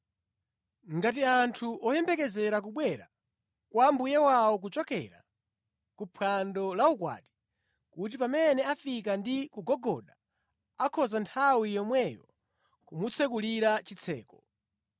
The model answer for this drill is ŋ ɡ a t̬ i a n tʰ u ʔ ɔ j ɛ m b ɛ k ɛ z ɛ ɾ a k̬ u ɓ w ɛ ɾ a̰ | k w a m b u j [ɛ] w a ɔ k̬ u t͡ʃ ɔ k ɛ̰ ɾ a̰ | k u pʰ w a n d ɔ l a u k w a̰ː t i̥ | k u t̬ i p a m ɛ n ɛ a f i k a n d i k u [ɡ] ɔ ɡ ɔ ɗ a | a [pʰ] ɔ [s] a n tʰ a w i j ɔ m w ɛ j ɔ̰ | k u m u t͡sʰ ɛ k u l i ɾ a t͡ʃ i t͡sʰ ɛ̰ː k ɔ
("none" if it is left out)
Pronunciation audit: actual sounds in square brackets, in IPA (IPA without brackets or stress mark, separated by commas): ɛ, ɡ, kʰ, z